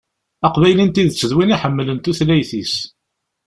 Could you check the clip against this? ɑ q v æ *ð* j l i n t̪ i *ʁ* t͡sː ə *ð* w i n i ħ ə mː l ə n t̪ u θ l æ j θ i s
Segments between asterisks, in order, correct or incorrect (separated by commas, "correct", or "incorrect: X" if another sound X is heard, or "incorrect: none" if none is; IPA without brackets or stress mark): incorrect: none, incorrect: ð, correct